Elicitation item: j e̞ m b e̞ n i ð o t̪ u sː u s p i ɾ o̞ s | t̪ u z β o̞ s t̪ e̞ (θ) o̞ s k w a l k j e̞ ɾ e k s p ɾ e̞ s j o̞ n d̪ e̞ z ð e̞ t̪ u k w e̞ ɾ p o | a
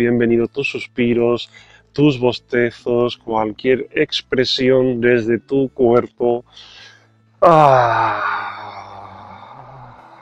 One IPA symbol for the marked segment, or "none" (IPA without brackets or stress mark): θ